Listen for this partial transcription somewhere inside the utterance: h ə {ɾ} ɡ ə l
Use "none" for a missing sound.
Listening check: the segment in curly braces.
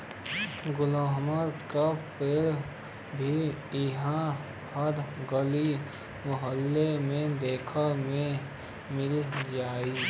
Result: ɾ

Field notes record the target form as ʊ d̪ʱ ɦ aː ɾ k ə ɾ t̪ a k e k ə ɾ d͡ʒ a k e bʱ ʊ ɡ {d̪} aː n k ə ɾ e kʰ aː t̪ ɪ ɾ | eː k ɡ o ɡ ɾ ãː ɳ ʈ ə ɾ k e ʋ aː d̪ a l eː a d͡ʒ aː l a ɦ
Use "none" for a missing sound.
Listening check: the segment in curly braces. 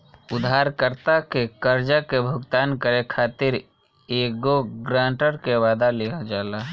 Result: t̪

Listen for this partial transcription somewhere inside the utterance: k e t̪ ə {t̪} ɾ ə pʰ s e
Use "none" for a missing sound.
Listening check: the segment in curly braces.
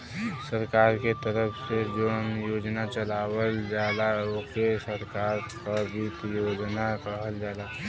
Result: none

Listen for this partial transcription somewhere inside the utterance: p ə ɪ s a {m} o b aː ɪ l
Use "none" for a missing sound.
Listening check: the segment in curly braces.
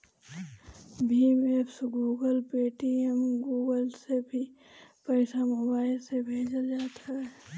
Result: m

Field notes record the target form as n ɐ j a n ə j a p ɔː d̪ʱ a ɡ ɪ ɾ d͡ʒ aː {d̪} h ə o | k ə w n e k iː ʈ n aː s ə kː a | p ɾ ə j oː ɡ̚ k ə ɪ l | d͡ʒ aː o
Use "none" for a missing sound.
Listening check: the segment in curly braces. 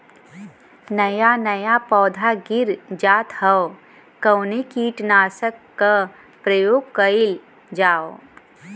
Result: t̪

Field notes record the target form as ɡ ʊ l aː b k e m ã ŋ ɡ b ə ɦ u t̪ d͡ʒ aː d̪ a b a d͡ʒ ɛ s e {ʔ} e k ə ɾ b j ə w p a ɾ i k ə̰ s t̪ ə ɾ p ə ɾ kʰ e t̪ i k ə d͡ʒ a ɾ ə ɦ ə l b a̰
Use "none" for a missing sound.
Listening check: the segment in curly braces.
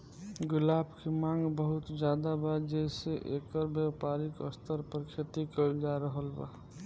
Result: ʔ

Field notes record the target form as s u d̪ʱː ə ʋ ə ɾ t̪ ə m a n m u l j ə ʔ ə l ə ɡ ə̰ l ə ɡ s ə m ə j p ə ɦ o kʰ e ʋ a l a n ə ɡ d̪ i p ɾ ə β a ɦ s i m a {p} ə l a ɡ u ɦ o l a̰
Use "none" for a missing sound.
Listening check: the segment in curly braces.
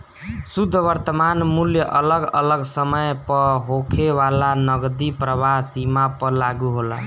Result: p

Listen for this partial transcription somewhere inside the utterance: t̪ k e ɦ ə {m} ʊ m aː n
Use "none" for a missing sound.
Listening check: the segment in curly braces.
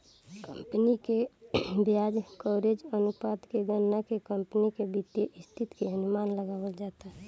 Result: n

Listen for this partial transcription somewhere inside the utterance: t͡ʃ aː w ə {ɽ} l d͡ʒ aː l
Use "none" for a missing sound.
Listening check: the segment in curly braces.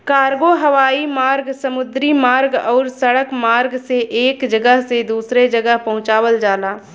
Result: none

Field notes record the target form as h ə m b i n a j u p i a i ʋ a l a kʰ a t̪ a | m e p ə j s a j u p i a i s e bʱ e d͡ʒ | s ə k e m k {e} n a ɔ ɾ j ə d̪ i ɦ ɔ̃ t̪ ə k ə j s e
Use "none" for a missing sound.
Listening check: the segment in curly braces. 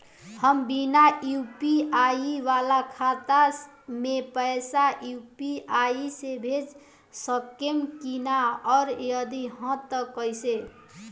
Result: i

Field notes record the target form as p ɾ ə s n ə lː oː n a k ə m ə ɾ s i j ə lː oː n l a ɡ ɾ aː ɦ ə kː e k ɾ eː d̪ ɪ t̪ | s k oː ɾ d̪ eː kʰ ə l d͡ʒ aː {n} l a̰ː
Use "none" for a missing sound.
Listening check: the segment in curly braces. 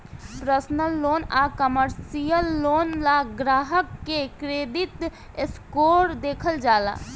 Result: none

